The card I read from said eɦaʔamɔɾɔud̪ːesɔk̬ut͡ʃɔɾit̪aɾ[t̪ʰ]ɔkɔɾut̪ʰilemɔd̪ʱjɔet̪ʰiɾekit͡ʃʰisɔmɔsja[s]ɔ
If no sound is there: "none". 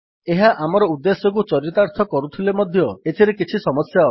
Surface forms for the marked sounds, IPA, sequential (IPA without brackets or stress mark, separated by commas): t̪ʰ, none